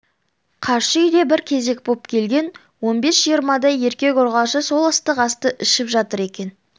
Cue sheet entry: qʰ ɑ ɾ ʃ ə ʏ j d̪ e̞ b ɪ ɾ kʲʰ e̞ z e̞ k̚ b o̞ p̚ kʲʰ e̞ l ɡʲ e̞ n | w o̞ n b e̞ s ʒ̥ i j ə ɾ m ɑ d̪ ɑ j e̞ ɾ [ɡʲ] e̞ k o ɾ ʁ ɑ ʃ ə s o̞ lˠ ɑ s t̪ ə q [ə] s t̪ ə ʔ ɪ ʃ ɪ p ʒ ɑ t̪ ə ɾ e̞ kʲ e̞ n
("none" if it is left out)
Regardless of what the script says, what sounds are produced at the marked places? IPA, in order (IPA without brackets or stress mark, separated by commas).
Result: kʲ, ɑ